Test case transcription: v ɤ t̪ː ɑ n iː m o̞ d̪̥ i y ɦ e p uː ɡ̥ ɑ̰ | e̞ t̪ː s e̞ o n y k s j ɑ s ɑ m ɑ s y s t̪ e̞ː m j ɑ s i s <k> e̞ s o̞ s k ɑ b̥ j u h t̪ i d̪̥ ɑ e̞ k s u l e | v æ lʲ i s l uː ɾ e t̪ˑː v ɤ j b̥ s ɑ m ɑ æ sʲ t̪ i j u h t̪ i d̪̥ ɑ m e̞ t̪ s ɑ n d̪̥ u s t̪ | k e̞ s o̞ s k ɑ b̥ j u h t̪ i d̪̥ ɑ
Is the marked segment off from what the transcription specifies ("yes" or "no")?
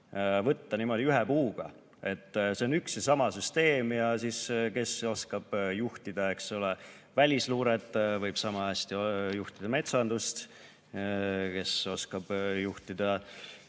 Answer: no